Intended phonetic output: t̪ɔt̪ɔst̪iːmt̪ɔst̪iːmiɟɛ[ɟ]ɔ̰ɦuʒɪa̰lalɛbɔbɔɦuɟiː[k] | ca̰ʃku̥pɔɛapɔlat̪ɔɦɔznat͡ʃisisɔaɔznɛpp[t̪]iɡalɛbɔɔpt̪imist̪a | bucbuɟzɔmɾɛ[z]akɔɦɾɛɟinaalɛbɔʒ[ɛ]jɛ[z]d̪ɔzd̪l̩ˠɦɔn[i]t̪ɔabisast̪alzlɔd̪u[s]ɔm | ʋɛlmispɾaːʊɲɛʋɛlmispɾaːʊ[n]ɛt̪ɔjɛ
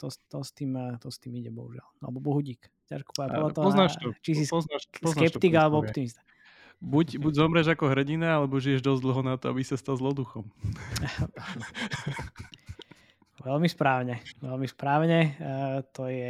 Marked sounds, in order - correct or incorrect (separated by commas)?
incorrect, correct, correct, incorrect, incorrect, incorrect, incorrect, incorrect, incorrect